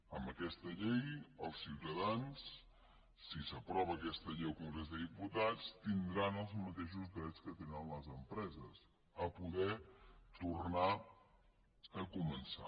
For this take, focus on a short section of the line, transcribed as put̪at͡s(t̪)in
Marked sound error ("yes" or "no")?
no